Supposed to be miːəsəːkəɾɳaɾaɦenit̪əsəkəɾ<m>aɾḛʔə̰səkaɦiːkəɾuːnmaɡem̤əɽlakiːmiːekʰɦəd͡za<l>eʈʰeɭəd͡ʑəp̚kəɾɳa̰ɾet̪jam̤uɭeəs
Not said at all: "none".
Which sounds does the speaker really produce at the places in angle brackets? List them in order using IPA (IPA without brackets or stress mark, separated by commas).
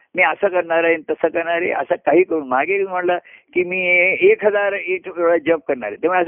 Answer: ɳ, ɾ